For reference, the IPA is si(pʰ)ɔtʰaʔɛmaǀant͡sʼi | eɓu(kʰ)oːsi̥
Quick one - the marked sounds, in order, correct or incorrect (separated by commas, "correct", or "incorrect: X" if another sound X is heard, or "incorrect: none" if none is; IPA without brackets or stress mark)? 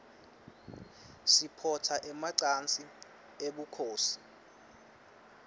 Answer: correct, correct